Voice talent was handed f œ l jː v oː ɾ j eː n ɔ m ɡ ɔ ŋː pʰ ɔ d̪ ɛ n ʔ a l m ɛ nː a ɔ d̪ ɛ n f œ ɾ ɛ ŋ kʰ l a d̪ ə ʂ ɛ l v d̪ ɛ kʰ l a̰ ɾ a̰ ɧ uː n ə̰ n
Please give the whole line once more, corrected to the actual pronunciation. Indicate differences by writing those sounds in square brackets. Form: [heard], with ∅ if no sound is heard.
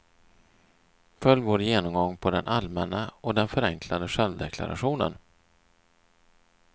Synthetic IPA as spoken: f œ l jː v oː ɾ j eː n ɔ m ɡ ɔ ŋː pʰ ɔ d̪ ɛ n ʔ a l m ɛ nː a ɔ d̪ ɛ n f œ ɾ ɛ ŋ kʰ l a d̪ ə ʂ ɛ l v d̪ ɛ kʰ l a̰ ɾ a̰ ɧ uː n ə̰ n

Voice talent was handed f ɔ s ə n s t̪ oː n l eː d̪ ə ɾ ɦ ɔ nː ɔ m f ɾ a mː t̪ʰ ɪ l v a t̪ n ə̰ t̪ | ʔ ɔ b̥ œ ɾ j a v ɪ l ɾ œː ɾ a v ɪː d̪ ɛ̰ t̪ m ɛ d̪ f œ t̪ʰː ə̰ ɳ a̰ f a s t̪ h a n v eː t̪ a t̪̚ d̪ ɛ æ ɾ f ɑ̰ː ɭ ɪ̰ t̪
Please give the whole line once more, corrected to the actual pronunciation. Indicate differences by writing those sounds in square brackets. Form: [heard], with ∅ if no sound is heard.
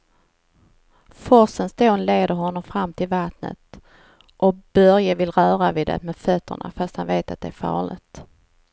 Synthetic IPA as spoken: f ɔ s ə n s t̪ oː n l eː d̪ ə ɾ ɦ ɔ nː ɔ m f ɾ a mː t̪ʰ ɪ l v a t̪ n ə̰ t̪ | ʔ ɔ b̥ œ ɾ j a v ɪ l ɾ œː ɾ a v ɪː d̪ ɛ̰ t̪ m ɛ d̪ f œ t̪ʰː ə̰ ɳ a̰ f a s t̪ h a n v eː t̪ a t̪̚ d̪ ɛ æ ɾ f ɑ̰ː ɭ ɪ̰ t̪

